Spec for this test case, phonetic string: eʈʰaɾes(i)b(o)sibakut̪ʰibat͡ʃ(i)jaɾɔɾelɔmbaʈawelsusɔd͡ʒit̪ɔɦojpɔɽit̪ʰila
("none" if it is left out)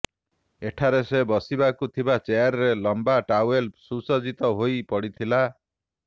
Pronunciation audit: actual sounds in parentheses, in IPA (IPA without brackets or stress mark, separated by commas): e, ɔ, e